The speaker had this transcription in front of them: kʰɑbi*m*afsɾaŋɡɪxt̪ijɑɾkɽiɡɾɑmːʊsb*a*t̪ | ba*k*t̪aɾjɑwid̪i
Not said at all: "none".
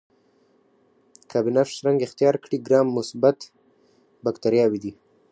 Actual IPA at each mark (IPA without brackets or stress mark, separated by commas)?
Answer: n, a, k